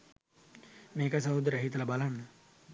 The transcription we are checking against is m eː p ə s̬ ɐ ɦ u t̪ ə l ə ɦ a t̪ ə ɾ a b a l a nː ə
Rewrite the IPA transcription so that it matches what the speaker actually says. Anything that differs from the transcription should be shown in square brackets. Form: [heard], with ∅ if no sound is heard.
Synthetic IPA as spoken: m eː [k] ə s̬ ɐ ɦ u [d̪] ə [ɾ] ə ɦ [i] t̪ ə [l] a b a l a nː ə